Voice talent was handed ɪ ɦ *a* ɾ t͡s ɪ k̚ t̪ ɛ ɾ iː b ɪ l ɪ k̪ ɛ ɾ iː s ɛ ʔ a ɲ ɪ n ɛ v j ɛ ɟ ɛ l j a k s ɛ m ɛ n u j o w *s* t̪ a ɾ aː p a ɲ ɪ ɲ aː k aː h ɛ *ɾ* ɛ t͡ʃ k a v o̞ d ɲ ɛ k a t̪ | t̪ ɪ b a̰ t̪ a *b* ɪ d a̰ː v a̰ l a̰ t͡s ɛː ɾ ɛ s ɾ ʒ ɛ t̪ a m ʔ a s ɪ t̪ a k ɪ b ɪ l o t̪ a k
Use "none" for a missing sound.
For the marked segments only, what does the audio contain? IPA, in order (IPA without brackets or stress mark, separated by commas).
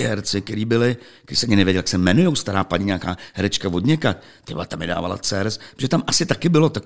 ɛ, s, ɾ, m